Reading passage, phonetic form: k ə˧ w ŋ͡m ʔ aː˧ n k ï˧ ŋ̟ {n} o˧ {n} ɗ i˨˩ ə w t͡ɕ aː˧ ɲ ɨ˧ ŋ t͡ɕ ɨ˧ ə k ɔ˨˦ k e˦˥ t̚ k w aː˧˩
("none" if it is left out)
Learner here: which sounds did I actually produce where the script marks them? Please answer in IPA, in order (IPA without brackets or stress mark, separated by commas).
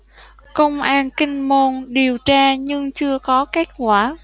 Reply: m, n